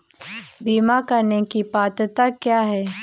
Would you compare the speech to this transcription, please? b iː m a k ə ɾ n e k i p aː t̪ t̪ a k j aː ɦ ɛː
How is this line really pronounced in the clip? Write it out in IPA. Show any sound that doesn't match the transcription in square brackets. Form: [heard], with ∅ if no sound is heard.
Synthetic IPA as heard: b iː m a k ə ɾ n e k i p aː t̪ t̪ a k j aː ɦ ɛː